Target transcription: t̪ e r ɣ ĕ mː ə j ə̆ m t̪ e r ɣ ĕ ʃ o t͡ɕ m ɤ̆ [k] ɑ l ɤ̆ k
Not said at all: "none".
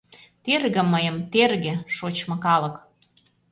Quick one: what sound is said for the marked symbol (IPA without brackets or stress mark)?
k